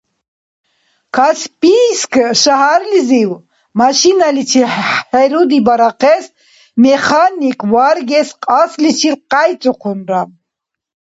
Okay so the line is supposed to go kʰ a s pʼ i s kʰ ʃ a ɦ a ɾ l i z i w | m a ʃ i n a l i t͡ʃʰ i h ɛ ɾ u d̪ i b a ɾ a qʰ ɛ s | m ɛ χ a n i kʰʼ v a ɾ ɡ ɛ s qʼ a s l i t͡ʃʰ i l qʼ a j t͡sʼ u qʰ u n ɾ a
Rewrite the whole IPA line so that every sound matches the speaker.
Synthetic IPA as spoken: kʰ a s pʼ i s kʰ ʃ a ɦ a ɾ l i z i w | m a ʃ i n a l i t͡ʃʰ i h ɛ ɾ u d̪ i b a ɾ a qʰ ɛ s | m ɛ χ a n i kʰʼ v a ɾ ɡ ɛ s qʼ a s l i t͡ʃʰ i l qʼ a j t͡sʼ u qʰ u n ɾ a